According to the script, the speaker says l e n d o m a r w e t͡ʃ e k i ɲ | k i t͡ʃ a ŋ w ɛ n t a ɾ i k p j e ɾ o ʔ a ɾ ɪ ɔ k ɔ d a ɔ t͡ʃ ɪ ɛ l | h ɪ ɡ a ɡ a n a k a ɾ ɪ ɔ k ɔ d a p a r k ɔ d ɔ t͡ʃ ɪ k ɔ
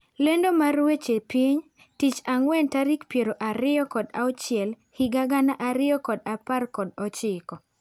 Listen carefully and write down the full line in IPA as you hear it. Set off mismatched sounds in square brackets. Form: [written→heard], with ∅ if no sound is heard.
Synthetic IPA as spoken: l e n d o m a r w e t͡ʃ e [k→p] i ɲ | [k→t] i t͡ʃ a ŋ w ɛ n t a ɾ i k p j e ɾ o ʔ a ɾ ɪ ɔ k ɔ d a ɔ t͡ʃ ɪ ɛ l | h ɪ ɡ a ɡ a n a [k→ʔ] a ɾ ɪ ɔ k ɔ d a p a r k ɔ d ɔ t͡ʃ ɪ k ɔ